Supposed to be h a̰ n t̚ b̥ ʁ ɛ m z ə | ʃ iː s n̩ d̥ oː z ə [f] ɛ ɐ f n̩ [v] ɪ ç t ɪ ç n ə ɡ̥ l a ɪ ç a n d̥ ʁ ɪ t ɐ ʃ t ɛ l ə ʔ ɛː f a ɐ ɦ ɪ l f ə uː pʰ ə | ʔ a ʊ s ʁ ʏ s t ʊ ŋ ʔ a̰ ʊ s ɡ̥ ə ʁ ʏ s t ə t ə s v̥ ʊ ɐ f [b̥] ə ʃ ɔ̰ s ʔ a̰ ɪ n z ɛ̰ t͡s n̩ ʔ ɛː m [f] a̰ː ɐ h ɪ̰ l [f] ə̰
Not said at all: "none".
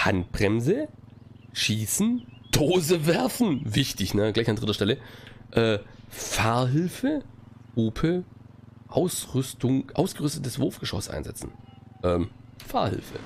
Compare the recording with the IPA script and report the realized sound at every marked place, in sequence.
v, v, ɡ̥, f, f

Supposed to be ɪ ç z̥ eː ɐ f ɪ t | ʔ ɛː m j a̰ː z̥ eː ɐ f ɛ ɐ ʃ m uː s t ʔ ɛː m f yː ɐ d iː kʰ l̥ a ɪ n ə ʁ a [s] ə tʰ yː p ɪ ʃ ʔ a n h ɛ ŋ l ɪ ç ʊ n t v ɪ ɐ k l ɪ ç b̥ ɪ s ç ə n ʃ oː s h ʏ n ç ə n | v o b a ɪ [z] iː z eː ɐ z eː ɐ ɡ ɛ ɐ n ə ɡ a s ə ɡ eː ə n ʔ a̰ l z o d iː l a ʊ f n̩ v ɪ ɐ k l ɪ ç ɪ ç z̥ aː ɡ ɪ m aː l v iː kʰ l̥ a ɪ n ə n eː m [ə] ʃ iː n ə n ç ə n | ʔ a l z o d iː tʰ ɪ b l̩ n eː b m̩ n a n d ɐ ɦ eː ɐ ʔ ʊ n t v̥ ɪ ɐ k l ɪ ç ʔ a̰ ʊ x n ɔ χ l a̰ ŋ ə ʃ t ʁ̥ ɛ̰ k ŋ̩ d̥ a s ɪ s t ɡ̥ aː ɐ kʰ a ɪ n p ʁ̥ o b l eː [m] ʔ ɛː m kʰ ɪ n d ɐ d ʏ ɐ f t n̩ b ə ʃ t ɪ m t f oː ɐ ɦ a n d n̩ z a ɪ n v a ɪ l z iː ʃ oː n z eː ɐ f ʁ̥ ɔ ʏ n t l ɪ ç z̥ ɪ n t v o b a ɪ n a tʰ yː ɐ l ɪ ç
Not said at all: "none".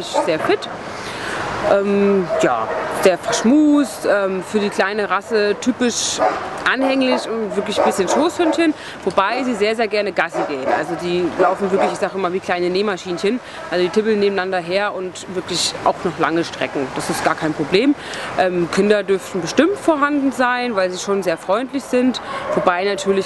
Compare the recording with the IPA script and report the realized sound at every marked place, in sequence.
s, z, a, m

